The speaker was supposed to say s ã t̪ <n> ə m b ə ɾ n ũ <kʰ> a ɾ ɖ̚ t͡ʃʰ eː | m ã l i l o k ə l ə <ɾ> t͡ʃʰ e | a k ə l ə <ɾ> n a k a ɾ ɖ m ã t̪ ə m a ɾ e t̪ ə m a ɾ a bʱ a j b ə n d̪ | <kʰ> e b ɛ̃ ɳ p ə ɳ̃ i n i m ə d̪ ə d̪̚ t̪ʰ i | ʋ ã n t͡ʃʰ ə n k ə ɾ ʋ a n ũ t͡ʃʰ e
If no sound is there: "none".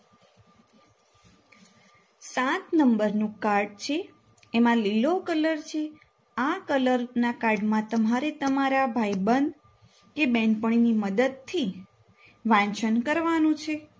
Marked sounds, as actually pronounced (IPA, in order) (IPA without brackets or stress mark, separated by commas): n, k, ɾ, ɾ, k